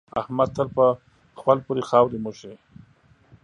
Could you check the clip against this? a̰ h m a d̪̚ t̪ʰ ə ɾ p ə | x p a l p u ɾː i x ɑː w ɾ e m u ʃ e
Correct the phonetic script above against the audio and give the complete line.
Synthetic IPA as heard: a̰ h m a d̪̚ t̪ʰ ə l p ə | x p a l p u ɾ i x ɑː w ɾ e m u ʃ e

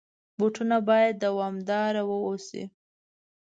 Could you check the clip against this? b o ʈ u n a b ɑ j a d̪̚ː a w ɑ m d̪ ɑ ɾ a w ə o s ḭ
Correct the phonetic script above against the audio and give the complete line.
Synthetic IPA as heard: b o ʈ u n a b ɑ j a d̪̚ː a w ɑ m d̪ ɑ ɾ a w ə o s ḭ

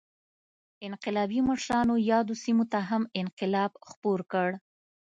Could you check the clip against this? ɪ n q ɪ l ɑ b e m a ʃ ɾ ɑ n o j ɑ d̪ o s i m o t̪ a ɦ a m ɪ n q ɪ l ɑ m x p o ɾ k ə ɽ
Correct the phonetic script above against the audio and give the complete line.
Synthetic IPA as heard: ɪ n q ɪ l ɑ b i m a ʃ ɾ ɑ n o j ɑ d̪ o s i m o t̪ a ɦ a m ɪ n q ɪ l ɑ b x p o ɾ k ə ɽ

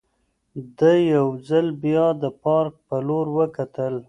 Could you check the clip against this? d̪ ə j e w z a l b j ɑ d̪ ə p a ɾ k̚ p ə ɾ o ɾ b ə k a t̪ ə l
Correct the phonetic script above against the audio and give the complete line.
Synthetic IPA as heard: d̪ ə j a w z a l b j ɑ d̪ ə p ɑ ɾ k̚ p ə l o ɾ w ə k a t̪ ə l

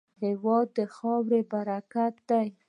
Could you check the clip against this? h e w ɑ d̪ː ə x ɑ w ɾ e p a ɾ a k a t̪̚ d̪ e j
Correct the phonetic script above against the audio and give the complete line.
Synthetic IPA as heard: h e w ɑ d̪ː ə x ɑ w ɾ e b a ɾ a k a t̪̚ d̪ a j

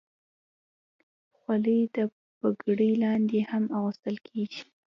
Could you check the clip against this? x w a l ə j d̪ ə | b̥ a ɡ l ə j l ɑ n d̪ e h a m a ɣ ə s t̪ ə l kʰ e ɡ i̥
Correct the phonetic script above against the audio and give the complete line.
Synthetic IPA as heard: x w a l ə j d̪ ə | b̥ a ɡ ɽ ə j l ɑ n d̪ e h a m a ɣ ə s t̪ ə l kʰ e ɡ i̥

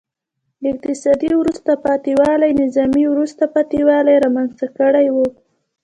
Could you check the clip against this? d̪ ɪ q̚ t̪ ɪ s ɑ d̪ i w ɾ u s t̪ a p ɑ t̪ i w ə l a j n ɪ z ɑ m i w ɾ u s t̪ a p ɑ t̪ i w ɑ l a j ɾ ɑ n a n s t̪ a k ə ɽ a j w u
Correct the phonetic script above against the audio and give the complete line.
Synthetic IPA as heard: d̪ ɪ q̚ t̪ ɪ s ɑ d̪ i w ɾ u s t̪ a p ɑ t̪ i w ɑ l a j n ɪ z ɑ m i w ɾ u s t̪ a p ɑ t̪ i w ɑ l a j ɾ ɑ m a n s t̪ a k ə ɽ a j w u

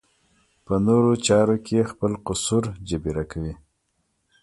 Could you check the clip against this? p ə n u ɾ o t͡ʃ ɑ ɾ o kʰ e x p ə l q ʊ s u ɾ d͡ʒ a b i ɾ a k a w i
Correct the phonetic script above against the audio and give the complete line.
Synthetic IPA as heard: p ə n o ɾ o t͡ʃ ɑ ɾ o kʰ e x p ə l q ʊ s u ɾ d͡ʒ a b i ɾ a k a w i

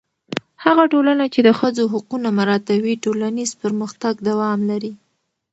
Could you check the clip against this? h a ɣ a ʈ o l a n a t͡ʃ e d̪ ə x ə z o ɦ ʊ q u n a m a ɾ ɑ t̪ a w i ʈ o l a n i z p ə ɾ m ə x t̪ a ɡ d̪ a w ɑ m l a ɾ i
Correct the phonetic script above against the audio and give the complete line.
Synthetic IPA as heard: h a ɣ a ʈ o l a n a t͡ʃ e d̪ ə x ə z o ɦ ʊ q u n a m a ɾ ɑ t̪ a w i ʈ o l a n i z p ə ɾ m ə x t̪ a ɡ d̪ a w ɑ m l a ɾ i

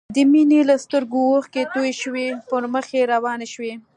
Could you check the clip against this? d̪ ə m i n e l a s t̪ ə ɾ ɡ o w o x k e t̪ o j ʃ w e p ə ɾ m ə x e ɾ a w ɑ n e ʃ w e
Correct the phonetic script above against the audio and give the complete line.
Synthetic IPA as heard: d̪ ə m i n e l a s t̪ ə ɾ ɡ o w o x k e t̪ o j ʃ w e p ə ɾ m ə x e ɾ a w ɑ n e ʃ w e

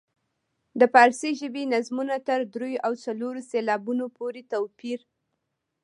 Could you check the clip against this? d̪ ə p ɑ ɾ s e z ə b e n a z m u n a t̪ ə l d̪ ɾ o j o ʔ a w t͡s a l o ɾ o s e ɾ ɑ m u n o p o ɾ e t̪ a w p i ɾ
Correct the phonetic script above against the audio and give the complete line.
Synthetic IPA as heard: d̪ ə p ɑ ɾ s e ʒ ə b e n a z m u n a t̪ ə ɾ d̪ ɾ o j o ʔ a w t͡s a l o ɾ o s e l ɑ b u n o p o ɾ e t̪ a w p i ɾ

